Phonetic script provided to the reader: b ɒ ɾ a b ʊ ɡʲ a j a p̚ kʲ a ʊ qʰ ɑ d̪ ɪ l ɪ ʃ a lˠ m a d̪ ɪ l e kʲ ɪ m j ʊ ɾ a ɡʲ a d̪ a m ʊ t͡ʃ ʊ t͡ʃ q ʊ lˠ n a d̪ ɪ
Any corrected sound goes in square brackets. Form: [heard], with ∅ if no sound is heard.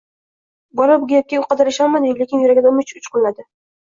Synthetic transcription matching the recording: b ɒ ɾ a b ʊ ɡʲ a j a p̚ kʲ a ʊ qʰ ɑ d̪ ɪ [ɾ] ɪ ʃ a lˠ m a d̪ ɪ l e kʲ ɪ [n] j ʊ ɾ a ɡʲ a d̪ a m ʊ t͡ʃ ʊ t͡ʃ q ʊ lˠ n a d̪ ɪ